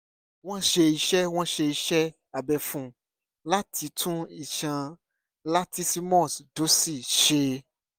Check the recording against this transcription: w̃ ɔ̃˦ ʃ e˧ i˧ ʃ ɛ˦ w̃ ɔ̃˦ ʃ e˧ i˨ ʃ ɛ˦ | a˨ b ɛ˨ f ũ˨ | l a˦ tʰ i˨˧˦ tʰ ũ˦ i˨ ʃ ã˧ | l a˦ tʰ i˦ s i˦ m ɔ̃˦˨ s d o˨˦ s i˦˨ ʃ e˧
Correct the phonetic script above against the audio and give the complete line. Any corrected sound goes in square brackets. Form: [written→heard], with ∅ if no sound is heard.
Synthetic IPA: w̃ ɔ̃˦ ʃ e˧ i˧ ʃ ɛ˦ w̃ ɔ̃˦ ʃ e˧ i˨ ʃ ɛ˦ | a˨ b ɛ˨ f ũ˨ | l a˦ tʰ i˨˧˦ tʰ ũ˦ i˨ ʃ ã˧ | l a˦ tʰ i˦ s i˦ m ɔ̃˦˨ s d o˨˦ s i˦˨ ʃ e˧